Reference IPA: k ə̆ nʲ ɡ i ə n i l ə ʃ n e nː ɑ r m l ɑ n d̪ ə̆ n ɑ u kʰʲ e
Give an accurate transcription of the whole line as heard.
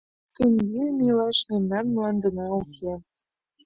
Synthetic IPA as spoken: k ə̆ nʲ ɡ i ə n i l ɑ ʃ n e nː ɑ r m l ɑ n d̪ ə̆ n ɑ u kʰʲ e